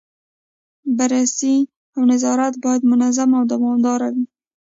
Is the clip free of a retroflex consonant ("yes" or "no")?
yes